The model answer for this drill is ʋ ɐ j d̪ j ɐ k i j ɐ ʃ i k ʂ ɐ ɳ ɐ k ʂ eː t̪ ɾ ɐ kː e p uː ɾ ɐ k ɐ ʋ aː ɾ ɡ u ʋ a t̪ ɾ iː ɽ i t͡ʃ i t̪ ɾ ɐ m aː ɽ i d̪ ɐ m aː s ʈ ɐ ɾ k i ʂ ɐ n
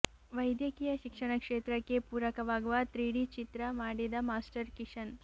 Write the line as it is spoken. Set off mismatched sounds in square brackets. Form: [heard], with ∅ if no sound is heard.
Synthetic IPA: ʋ ɐ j d̪ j ɐ k i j ɐ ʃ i k ʂ ɐ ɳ ɐ k ʂ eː t̪ ɾ ɐ kː e p uː ɾ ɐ k ɐ ʋ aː [∅] ɡ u ʋ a t̪ ɾ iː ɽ i t͡ʃ i t̪ ɾ ɐ m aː ɽ i d̪ ɐ m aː s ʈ ɐ ɾ k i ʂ ɐ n